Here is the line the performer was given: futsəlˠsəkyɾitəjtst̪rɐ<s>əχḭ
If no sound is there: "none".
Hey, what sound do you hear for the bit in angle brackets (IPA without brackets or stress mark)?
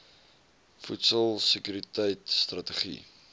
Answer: t